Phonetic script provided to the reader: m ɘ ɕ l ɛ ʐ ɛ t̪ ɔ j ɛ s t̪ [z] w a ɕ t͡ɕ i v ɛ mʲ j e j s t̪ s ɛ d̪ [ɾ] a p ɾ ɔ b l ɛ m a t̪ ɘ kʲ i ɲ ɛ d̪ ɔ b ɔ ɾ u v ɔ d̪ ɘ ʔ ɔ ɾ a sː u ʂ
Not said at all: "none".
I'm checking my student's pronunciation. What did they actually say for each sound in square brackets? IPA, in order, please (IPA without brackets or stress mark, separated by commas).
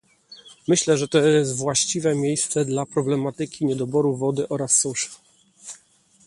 v, l